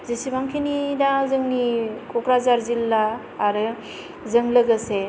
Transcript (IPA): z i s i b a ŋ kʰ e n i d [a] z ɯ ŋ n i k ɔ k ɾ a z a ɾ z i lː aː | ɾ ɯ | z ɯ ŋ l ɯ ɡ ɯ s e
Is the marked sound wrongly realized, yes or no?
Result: no